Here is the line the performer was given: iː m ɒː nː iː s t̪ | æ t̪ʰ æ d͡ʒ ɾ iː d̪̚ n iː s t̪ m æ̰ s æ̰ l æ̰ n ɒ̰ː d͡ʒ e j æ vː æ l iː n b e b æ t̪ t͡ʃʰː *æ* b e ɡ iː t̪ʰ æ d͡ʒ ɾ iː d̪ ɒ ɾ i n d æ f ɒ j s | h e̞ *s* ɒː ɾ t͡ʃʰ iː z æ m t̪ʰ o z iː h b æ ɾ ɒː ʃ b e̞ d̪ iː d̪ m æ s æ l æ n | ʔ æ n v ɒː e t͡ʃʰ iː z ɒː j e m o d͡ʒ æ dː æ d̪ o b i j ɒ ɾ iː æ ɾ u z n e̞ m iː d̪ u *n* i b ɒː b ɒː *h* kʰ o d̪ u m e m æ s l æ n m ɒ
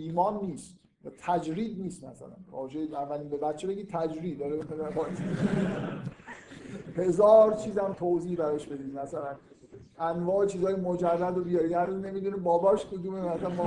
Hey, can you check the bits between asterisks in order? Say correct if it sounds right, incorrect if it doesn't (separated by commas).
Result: incorrect, incorrect, correct, incorrect